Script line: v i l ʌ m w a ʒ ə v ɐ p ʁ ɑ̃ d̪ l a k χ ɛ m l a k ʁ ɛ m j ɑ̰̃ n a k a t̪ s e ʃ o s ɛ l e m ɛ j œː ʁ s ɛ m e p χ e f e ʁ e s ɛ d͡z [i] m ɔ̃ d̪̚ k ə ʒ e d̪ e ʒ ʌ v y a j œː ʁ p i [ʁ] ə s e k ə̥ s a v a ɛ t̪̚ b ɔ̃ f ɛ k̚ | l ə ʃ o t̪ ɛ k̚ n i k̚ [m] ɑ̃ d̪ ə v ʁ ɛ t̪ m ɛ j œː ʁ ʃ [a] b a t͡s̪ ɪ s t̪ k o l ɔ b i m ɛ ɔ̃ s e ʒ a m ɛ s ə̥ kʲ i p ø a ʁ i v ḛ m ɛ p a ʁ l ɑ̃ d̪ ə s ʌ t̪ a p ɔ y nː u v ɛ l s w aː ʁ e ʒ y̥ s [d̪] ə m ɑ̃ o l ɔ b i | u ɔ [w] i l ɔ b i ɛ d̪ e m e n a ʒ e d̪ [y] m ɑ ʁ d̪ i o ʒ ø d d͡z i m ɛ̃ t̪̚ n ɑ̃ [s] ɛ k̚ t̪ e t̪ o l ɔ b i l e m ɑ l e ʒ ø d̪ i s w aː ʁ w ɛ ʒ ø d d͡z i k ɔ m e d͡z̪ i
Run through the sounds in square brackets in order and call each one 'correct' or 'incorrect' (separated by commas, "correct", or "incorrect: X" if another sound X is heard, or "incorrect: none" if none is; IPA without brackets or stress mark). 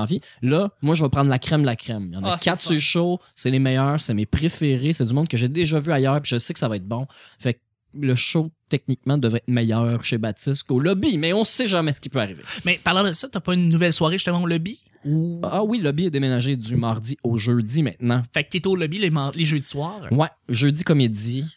incorrect: y, incorrect: ʒ, correct, incorrect: e, incorrect: t̪, correct, correct, incorrect: f